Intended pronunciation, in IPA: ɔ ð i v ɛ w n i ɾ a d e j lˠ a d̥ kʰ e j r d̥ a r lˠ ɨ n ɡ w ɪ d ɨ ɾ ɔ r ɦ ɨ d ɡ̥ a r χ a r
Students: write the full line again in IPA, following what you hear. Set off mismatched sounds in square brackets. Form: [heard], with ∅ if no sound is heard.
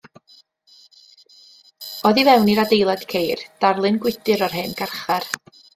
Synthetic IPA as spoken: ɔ ð i v ɛ w n i ɾ a d e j lˠ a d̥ kʰ e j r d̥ a r lˠ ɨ n ɡ w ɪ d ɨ ɾ ɔ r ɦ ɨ [n] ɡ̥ a r χ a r